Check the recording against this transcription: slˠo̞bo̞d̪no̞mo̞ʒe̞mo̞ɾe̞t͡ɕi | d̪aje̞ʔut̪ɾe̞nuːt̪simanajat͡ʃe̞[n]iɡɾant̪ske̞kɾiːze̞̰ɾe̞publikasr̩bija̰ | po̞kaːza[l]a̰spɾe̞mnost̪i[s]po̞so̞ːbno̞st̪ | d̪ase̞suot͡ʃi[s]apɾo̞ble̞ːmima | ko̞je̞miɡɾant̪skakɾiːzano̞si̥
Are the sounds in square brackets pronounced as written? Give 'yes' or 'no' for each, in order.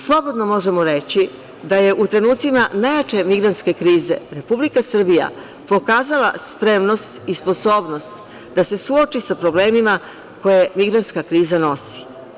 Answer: no, yes, yes, yes

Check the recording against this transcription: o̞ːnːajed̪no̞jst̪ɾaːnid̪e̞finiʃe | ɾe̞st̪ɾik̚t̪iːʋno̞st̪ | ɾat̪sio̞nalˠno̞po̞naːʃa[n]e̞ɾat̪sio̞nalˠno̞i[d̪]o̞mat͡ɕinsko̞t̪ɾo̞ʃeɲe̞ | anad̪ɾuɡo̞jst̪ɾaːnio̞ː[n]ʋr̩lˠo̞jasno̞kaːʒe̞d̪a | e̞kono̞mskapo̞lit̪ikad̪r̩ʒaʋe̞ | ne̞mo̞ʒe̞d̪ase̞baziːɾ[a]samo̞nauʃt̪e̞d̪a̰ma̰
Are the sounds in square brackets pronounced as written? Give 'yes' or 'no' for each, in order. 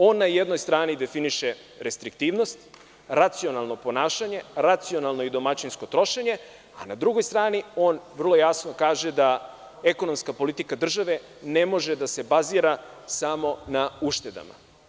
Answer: no, yes, yes, yes

